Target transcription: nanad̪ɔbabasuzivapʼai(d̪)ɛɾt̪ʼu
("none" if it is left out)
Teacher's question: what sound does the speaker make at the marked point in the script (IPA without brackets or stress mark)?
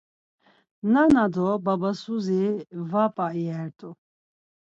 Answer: none